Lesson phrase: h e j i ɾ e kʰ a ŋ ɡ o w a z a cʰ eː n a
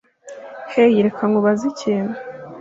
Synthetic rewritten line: h e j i ɾ e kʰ a ŋ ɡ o β a z i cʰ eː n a